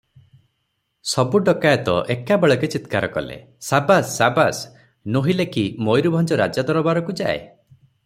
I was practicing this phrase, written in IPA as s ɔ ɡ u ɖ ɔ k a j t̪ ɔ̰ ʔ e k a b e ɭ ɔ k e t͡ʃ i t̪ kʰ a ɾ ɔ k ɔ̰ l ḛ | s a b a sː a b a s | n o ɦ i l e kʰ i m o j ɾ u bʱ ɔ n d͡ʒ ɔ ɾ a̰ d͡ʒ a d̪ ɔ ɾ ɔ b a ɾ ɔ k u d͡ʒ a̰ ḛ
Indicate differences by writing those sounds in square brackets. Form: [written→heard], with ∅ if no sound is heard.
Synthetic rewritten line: s ɔ [ɡ→b] u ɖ ɔ k a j t̪ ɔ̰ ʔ e k a b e ɭ ɔ k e t͡ʃ i t̪ [kʰ→k] a ɾ ɔ k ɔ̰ l ḛ | s a b a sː a b a s | n o ɦ i l e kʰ i m o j ɾ u bʱ ɔ n d͡ʒ ɔ ɾ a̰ d͡ʒ a d̪ ɔ ɾ ɔ b a ɾ ɔ k u d͡ʒ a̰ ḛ